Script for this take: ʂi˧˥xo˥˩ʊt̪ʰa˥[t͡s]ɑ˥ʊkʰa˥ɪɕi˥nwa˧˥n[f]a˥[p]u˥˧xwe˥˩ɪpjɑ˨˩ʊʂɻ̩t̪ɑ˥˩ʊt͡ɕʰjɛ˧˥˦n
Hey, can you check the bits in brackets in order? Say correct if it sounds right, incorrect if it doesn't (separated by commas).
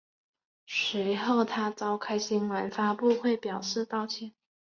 correct, correct, correct